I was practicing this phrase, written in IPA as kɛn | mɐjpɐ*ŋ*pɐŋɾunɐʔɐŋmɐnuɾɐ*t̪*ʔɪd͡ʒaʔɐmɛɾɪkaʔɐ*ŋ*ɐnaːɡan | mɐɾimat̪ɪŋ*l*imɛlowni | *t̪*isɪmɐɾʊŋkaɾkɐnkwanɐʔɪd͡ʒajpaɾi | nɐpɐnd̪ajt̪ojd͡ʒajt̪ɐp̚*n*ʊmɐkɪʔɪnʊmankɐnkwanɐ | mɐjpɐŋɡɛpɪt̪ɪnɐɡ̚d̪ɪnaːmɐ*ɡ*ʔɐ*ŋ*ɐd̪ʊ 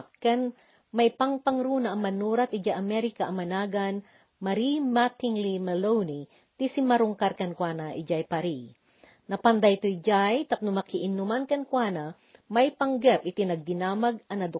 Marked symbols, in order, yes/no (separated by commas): yes, yes, no, yes, yes, yes, yes, no